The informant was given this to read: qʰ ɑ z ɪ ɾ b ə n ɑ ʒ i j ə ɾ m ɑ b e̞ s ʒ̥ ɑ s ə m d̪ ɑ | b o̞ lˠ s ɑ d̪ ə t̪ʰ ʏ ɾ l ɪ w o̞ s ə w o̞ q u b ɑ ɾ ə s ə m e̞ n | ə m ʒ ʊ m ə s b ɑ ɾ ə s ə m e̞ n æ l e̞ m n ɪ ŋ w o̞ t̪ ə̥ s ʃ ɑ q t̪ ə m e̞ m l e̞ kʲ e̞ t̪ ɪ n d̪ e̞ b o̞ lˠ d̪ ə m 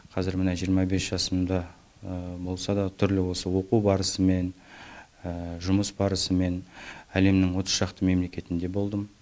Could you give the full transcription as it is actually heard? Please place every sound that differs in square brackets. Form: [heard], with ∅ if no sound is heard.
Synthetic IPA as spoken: qʰ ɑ z ɪ ɾ [m] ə n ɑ ʒ i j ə ɾ m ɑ b e̞ s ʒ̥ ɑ s ə m d̪ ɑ | b o̞ lˠ s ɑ d̪ [ɑ] t̪ʰ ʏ ɾ l ɪ w o̞ s ə w o̞ q u b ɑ ɾ ə s ə m e̞ n | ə [∅] ʒ ʊ m ə s b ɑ ɾ ə s ə m e̞ n æ l e̞ m n ɪ ŋ w o̞ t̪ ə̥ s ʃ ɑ q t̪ ə m e̞ m l e̞ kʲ e̞ t̪ ɪ n d̪ e̞ b o̞ lˠ d̪ ə m

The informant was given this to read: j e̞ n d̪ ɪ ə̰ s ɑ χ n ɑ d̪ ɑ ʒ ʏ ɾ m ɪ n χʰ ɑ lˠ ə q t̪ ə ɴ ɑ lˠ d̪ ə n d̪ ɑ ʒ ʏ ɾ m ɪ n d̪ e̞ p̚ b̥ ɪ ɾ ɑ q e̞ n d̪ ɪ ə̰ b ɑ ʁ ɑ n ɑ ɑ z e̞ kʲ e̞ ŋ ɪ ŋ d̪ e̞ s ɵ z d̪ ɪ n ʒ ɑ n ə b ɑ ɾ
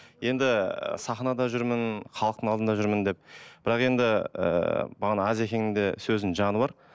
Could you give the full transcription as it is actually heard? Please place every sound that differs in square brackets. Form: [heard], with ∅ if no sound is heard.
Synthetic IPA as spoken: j e̞ n d̪ ɪ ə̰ s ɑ χ n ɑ d̪ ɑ ʒ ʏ ɾ m ɪ n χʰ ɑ lˠ ə q t̪ ə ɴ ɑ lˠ d̪ ə n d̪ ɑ ʒ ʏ ɾ m ɪ n d̪ e̞ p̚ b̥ ɪ ɾ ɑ q e̞ n d̪ ɪ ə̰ b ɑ ʁ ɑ n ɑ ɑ z e̞ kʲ e̞ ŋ ɪ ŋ d̪ e̞ s ɵ z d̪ ɪ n ʒ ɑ n ə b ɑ ɾ

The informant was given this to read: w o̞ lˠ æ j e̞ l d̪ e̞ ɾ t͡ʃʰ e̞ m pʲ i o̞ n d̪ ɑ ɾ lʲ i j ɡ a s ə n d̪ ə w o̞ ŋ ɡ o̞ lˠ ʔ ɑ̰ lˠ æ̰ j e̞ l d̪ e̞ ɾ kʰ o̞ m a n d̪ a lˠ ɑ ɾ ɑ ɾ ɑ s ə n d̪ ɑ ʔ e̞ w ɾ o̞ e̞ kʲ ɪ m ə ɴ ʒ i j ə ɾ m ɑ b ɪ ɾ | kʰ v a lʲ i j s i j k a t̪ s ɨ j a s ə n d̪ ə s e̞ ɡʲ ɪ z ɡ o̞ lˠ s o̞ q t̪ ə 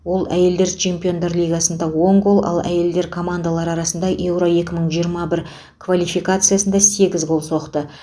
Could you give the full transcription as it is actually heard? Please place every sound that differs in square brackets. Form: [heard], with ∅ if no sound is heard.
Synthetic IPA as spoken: w o̞ lˠ æ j e̞ l d̪ e̞ ɾ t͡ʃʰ e̞ m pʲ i o̞ n d̪ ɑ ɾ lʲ i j ɡ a s ə n d̪ [ɑ] w o̞ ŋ ɡ o̞ lˠ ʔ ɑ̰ lˠ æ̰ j e̞ l d̪ e̞ ɾ kʰ o̞ m a n d̪ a lˠ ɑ ɾ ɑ ɾ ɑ s ə n d̪ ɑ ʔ e̞ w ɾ o̞ e̞ kʲ ɪ m ə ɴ ʒ i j ə ɾ m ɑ b ɪ ɾ | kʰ v a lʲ i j [f] i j k a t̪ s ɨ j a s ə n d̪ [ɑ] s e̞ ɡʲ ɪ z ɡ o̞ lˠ s o̞ q t̪ ə

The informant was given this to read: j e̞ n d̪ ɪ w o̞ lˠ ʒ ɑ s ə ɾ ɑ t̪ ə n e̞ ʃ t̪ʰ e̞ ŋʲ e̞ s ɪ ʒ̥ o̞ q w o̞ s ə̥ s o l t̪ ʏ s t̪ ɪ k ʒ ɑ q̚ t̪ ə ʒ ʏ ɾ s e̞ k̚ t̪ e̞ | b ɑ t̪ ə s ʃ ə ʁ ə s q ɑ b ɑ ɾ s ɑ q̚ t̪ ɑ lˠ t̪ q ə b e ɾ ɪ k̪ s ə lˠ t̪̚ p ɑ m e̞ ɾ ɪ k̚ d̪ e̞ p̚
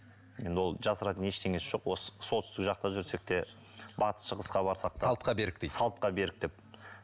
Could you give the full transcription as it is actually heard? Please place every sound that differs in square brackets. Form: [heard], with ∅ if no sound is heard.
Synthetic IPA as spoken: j e̞ n d̪ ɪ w o̞ lˠ ʒ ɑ s ə ɾ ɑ t̪ ə n e̞ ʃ t̪ʰ e̞ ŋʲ e̞ s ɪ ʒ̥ o̞ q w o̞ s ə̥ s o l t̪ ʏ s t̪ ɪ k ʒ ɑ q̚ t̪ [ɑ] ʒ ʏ ɾ s e̞ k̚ t̪ e̞ | b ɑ t̪ ə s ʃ ə ʁ ə s q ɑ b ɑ ɾ s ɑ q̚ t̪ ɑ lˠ t̪ q [ɑ] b e ɾ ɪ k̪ s [ɑ] lˠ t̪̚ [q] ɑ [b] e̞ ɾ ɪ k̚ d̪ e̞ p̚

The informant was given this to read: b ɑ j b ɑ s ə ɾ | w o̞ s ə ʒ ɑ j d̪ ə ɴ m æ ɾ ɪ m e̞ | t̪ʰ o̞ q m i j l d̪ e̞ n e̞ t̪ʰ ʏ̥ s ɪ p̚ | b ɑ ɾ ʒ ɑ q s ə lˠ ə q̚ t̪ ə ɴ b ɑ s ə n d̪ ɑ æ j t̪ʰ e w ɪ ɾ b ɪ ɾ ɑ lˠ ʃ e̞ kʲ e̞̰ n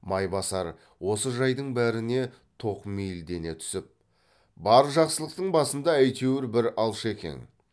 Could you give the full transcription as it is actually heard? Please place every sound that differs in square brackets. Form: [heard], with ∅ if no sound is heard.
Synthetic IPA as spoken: [m] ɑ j b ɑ s [ɑ] ɾ | w o̞ s ə ʒ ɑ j d̪ ə ɴ [b] æ ɾ ɪ [n] e̞ | t̪ʰ o̞ q m i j l d̪ e̞ n e̞ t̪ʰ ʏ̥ s ɪ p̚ | b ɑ ɾ ʒ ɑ q s ə lˠ ə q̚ t̪ ə ɴ b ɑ s ə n d̪ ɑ æ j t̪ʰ e w ɪ ɾ b ɪ ɾ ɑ lˠ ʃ e̞ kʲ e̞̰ n

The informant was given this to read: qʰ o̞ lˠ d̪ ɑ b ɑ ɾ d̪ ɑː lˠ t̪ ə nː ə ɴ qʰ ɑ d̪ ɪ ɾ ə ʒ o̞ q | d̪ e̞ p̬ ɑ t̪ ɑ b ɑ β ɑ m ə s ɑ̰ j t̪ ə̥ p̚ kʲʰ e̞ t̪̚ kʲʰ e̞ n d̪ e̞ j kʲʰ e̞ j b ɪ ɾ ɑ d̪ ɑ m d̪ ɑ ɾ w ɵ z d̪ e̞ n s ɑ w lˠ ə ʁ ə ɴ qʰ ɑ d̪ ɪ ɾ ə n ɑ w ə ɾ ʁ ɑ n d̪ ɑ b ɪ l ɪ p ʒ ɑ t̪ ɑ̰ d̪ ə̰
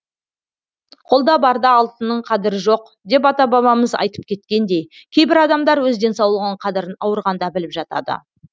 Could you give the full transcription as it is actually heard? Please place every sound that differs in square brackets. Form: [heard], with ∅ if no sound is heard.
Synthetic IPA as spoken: qʰ o̞ lˠ d̪ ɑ b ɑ ɾ d̪ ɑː lˠ t̪ ə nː ə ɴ qʰ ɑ d̪ ɪ ɾ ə ʒ o̞ q | d̪ e̞ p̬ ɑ t̪ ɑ b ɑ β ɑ m ə [z] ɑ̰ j t̪ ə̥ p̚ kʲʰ e̞ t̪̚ [kʲ] e̞ n d̪ e̞ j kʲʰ e̞ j b ɪ ɾ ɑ d̪ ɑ m d̪ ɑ ɾ w ɵ z d̪ e̞ n s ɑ w lˠ ə ʁ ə ɴ qʰ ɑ d̪ ɪ ɾ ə n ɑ w ə ɾ ʁ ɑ n d̪ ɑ b ɪ l ɪ p ʒ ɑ t̪ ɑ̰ d̪ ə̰

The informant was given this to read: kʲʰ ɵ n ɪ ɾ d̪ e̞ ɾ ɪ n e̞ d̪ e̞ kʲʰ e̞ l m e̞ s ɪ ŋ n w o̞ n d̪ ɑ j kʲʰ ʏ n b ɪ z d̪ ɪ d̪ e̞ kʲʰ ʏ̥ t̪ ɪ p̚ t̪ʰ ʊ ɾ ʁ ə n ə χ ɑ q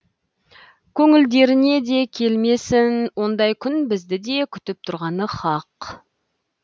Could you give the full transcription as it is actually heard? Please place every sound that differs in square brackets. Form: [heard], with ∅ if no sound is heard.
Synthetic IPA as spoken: kʲʰ ɵ [ŋ] ɪ [l] d̪ e̞ ɾ ɪ n e̞ d̪ e̞ kʲʰ e̞ l m e̞ s ɪ [∅] n w o̞ n d̪ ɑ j kʲʰ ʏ n b ɪ z d̪ ɪ d̪ e̞ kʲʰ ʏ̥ t̪ ɪ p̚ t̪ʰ ʊ ɾ ʁ [ɑ] n ə χ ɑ q

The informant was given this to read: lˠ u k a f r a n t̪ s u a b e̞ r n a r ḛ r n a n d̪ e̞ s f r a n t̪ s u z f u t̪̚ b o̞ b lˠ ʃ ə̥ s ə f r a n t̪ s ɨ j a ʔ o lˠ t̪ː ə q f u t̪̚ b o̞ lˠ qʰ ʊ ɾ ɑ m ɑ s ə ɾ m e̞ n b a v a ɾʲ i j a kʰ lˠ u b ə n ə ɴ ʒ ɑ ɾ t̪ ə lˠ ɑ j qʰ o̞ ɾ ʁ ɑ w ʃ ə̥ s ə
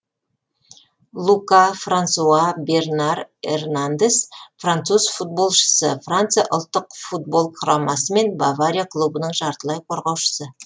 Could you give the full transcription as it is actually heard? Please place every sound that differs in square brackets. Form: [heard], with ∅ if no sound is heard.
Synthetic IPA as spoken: lˠ u k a f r a n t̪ s u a b e̞ r n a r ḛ r n a n d̪ e̞ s f r a n t̪ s u z f u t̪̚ b o̞ [∅] lˠ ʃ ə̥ s ə f r a n t̪ s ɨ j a ʔ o lˠ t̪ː ə q f u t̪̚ b o̞ lˠ qʰ ʊ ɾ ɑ m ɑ s ə [∅] m e̞ n b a v a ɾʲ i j a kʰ lˠ u b ə n ə ɴ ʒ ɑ ɾ t̪ ə lˠ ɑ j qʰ o̞ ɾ ʁ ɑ w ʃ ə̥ s ə

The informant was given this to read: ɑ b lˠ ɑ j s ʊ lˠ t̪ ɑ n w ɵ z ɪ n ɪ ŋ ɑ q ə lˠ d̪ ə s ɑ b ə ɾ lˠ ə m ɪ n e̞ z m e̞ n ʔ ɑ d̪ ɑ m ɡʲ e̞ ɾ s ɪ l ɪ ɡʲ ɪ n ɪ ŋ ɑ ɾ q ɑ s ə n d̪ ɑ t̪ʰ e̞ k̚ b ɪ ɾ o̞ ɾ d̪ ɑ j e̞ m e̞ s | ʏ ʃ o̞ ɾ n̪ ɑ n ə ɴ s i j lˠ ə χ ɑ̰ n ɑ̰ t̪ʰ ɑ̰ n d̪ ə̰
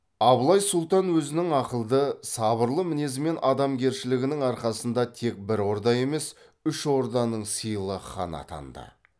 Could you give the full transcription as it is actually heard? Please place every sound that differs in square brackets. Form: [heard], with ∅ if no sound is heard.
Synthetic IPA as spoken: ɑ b lˠ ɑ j s ʊ lˠ t̪ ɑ n w ɵ z ɪ n ɪ ŋ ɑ q ə lˠ d̪ ə s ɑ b ə ɾ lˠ ə m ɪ n e̞ z m e̞ n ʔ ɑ d̪ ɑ m ɡʲ e̞ ɾ [ʃ] ɪ l ɪ ɡʲ ɪ n ɪ ŋ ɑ ɾ q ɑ s ə n d̪ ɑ t̪ʰ e̞ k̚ b ɪ ɾ o̞ ɾ d̪ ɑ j e̞ m e̞ s | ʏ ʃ o̞ ɾ [d̪] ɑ n ə ɴ s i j lˠ ə χ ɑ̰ n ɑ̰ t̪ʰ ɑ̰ n d̪ ə̰

